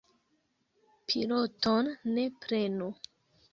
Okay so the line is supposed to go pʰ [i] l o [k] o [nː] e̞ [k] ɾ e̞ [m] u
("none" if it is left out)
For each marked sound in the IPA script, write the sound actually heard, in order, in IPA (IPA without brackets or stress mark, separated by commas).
i, t, nː, p, n